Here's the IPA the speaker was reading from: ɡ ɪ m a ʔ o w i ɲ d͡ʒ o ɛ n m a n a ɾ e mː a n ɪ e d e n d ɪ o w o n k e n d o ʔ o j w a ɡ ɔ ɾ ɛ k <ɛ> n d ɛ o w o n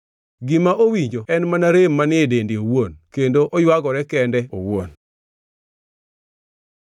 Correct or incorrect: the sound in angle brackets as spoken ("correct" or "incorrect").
correct